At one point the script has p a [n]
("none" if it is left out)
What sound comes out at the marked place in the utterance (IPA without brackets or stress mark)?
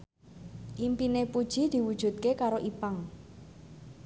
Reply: ŋ